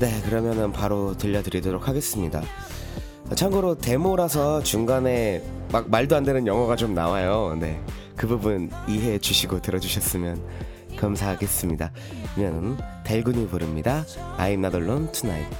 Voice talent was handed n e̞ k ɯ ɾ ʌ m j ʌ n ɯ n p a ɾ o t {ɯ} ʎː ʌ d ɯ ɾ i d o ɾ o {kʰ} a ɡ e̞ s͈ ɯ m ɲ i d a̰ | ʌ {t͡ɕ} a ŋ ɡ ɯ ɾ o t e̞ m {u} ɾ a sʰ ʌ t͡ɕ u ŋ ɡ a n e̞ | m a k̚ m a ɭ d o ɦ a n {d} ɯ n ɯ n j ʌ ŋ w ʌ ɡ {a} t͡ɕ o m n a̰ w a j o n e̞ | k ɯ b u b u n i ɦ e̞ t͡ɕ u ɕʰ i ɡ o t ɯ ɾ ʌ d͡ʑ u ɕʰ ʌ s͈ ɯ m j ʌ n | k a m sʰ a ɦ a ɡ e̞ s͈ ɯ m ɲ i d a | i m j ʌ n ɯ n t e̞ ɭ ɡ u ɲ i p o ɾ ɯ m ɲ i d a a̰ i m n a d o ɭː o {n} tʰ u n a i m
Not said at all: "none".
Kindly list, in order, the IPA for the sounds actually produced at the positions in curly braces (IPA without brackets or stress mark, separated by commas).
ɯ, kʰ, t͡ɕʰ, o, d, a, n